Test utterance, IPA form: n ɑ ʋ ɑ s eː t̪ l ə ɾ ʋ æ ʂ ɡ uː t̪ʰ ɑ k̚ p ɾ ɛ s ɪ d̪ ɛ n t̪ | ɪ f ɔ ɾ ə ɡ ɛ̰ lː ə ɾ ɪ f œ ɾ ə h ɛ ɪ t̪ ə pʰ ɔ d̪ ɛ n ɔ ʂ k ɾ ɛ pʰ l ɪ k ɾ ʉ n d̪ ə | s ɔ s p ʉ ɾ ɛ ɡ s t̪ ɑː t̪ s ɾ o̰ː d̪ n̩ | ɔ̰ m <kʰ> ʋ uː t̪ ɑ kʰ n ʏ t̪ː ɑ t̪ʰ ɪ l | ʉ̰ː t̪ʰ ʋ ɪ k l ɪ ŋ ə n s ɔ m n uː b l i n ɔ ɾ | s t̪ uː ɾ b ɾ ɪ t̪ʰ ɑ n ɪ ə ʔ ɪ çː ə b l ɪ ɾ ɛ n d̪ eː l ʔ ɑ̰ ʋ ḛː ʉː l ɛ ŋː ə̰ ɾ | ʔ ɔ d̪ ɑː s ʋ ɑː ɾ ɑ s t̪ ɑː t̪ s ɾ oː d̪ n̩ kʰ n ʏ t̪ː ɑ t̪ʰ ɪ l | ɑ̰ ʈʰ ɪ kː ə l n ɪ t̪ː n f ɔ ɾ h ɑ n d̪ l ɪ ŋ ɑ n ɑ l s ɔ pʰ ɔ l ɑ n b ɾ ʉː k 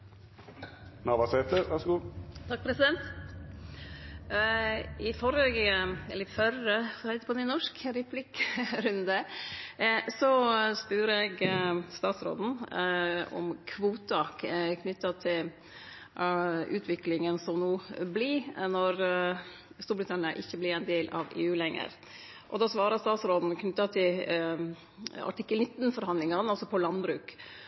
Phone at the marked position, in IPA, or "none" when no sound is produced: kʰ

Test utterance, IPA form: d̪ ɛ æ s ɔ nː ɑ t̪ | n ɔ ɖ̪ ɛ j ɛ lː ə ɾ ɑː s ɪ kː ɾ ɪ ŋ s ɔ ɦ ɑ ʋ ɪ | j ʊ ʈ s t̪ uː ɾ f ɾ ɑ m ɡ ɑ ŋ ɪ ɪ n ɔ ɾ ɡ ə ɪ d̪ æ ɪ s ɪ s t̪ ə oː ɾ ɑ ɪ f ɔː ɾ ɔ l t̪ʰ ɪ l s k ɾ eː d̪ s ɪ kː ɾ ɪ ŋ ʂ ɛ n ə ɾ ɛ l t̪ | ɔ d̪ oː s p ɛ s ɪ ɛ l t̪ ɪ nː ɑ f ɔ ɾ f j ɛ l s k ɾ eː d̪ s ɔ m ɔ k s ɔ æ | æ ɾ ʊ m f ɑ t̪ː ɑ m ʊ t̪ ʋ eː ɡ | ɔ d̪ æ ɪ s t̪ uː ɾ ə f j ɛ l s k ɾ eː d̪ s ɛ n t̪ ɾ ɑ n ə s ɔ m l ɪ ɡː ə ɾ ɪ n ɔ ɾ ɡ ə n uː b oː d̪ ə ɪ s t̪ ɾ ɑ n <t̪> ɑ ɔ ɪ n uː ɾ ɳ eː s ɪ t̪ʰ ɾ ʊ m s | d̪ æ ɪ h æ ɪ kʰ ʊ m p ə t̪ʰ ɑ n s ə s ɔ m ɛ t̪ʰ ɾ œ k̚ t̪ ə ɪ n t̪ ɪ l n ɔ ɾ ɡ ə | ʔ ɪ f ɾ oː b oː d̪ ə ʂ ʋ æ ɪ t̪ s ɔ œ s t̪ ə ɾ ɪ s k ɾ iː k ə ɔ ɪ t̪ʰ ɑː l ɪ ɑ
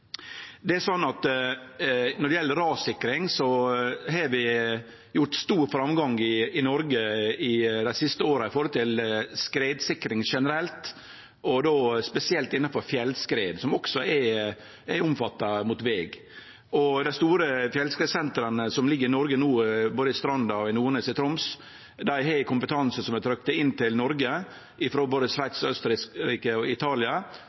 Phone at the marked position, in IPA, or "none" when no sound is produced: d̪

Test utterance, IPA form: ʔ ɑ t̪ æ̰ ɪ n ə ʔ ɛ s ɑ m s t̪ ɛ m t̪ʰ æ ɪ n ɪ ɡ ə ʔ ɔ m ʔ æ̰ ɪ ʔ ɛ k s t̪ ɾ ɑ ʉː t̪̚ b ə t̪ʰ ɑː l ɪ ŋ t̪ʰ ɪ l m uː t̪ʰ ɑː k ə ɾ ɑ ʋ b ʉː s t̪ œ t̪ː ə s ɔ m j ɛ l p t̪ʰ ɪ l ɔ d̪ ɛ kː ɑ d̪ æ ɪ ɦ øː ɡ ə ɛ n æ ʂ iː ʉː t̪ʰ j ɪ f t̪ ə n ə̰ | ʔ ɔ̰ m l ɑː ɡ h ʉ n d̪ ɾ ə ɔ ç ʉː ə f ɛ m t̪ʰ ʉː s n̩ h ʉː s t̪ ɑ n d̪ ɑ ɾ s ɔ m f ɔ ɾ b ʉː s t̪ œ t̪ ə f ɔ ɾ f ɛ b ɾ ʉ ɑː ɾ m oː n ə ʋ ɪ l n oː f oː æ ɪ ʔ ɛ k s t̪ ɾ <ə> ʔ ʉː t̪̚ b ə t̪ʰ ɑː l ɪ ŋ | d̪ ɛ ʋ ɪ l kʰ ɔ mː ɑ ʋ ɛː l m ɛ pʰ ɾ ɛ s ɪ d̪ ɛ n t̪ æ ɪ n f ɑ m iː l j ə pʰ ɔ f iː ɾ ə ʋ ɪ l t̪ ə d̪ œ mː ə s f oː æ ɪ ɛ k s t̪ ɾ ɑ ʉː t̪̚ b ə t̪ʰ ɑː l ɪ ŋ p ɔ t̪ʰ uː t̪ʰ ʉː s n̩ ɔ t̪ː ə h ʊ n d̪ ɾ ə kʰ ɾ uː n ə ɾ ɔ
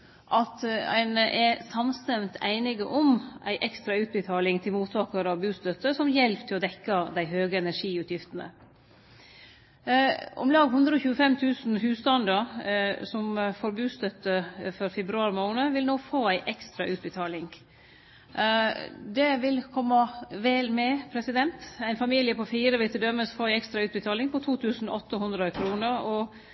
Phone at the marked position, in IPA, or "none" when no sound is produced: ɑ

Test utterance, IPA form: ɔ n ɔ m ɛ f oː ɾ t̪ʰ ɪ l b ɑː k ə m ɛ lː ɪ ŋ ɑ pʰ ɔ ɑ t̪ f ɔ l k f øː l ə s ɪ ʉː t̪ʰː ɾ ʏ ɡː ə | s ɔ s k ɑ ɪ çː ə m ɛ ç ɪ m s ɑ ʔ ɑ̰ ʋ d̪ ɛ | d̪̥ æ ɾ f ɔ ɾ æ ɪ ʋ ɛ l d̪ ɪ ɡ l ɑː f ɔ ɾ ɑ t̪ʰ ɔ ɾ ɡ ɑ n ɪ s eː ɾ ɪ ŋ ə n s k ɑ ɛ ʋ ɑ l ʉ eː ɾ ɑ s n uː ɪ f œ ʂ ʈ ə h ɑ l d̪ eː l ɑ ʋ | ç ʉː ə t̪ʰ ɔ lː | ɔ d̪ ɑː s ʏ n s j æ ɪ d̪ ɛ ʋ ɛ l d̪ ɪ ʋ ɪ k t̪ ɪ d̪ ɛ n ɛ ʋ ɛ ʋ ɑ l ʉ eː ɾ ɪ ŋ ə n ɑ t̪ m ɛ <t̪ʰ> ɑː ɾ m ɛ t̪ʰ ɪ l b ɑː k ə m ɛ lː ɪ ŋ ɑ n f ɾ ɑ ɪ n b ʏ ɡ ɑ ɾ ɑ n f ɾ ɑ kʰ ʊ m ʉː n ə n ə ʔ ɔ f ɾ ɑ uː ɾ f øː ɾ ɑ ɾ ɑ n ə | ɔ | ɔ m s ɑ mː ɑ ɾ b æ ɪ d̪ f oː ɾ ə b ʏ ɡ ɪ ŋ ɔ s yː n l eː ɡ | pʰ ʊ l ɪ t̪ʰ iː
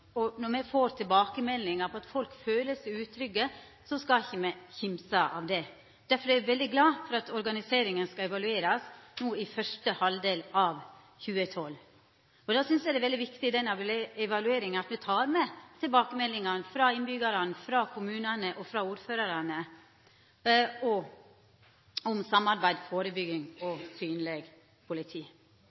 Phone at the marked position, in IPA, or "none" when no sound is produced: t̪ʰ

